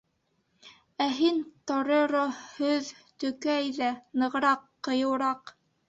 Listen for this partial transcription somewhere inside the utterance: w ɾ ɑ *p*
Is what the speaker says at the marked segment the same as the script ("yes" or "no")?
no